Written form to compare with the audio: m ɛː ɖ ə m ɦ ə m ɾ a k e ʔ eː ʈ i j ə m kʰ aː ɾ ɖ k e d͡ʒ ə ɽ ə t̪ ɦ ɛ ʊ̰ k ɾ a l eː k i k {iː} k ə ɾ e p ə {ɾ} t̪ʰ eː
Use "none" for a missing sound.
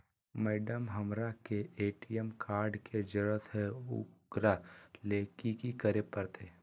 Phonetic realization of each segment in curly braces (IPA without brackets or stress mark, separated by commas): i, ɾ